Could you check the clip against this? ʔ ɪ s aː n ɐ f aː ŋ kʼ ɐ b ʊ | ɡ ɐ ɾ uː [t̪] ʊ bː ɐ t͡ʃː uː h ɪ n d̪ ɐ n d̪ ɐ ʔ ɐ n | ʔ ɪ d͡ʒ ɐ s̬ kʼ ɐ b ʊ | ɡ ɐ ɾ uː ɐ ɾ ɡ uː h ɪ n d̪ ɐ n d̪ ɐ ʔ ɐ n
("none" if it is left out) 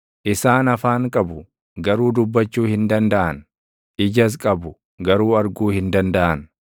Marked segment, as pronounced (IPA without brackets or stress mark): d̪